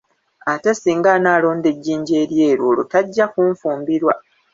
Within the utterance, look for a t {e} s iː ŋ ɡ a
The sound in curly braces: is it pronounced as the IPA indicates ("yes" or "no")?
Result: yes